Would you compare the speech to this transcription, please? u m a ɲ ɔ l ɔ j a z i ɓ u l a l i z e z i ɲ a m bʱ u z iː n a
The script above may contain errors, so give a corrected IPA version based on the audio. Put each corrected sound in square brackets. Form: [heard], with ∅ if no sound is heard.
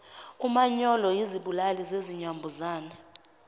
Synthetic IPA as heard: u m a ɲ ɔ l ɔ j [i] z i ɓ u l a l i z e z i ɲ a m bʱ u z [aː] n a